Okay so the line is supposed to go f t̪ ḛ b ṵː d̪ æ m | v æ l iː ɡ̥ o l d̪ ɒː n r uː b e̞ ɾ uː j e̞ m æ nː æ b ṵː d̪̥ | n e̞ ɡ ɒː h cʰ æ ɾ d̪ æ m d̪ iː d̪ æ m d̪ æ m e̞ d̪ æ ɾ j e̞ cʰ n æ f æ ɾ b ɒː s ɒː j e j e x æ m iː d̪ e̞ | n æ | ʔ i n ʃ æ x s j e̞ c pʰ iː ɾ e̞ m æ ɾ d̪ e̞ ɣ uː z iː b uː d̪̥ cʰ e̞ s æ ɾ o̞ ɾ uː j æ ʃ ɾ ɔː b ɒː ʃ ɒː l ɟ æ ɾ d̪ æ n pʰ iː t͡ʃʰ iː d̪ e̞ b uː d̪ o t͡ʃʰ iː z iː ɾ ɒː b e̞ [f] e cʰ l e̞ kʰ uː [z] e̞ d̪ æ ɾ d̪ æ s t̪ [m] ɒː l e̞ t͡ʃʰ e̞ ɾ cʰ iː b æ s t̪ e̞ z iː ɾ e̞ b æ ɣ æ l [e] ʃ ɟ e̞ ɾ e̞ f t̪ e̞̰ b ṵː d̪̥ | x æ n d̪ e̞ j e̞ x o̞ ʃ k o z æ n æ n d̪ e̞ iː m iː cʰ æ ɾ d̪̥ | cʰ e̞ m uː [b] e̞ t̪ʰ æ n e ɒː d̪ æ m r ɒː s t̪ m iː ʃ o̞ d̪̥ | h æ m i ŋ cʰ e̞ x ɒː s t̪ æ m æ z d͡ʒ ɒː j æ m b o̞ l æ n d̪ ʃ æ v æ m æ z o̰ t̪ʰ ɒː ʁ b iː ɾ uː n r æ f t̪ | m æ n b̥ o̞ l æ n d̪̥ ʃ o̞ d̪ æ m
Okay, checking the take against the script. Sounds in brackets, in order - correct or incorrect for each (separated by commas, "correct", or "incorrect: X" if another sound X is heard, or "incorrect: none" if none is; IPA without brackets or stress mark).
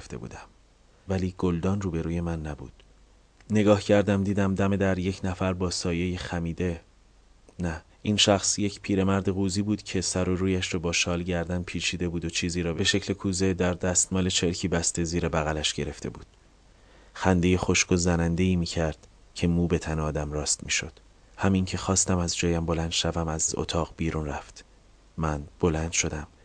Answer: incorrect: ʃ, correct, correct, incorrect: æ, correct